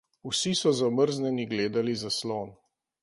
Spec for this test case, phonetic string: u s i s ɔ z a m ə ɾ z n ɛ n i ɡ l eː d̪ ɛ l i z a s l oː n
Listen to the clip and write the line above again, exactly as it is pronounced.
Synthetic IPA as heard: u s i s ɔ z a m ə ɾ z n ɛ n i ɡ l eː d̪ a l i z a s l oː n